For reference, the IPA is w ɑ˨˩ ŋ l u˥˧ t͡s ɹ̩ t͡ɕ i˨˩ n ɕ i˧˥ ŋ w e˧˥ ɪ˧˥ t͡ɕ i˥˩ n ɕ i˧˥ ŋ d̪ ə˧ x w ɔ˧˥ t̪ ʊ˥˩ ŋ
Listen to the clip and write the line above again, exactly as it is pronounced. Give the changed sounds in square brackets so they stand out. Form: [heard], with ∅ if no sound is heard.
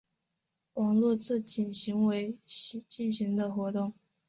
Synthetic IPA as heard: w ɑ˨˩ ŋ l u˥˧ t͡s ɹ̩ t͡ɕ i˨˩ n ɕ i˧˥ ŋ w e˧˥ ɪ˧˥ t͡ɕ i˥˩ n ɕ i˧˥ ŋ d̪ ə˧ x w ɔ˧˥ t̪ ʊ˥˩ ŋ